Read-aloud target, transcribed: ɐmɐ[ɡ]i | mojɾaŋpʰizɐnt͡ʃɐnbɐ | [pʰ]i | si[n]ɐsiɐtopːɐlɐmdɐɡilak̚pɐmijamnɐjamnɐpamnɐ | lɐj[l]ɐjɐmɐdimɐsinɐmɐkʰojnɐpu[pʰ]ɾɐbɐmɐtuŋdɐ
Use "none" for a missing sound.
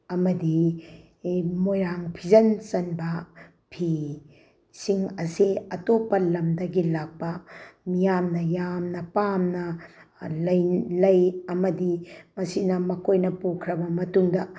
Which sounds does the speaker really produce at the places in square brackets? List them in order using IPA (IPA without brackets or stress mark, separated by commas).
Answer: d, pʰ, ŋ, l, kʰ